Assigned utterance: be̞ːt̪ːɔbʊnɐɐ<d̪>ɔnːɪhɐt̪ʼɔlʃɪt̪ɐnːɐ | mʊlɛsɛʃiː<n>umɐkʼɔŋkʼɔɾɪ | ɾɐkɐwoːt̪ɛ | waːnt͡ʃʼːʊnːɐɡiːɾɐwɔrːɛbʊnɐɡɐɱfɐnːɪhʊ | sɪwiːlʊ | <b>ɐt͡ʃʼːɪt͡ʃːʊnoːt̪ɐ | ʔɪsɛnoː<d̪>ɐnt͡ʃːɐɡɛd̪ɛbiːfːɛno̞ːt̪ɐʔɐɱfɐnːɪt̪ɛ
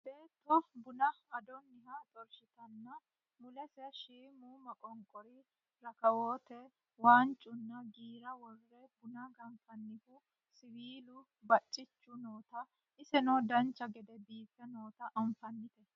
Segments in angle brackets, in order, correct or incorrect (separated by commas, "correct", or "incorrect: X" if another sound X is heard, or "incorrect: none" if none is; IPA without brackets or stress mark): correct, incorrect: m, correct, correct